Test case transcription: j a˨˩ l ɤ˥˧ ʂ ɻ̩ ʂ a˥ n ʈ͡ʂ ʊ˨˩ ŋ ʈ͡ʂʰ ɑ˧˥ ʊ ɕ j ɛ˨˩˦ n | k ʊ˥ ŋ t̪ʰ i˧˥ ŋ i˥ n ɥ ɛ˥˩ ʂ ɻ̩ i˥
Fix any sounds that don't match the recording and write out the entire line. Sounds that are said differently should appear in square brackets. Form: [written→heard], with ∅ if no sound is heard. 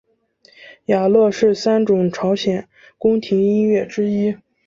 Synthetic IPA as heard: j a˨˩ l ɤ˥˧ ʂ ɻ̩ [ʂ→s] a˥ n ʈ͡ʂ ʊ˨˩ ŋ ʈ͡ʂʰ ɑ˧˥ ʊ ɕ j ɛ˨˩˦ n | k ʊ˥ ŋ t̪ʰ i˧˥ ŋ i˥ n ɥ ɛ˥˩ [ʂ→ʈ͡ʂ] ɻ̩ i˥